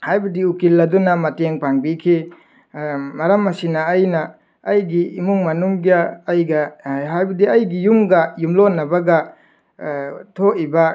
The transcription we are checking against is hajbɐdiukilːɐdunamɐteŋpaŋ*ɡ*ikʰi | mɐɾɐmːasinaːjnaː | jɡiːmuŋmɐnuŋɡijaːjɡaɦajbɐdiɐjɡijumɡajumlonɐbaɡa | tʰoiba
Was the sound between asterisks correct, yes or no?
no